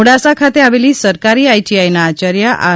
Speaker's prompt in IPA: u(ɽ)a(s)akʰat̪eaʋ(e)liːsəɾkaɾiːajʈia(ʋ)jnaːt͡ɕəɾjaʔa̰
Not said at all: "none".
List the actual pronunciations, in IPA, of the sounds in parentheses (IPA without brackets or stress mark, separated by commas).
ɽ, s, e, none